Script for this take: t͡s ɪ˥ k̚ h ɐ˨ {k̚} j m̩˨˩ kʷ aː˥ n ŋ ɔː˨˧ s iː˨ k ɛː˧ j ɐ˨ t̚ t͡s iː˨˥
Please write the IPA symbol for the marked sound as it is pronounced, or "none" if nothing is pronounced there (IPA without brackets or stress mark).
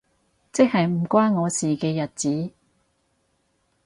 none